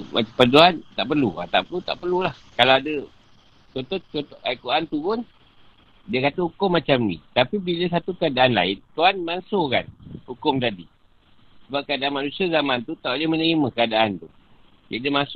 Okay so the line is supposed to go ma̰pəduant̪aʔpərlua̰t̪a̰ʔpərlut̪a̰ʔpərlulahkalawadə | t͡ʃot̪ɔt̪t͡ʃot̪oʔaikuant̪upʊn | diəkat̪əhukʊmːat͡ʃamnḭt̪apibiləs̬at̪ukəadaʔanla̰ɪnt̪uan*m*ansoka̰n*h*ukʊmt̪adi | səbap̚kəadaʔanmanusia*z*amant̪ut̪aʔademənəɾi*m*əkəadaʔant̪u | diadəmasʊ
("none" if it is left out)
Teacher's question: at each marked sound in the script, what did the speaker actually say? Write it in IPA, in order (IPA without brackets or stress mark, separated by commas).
m, h, z, m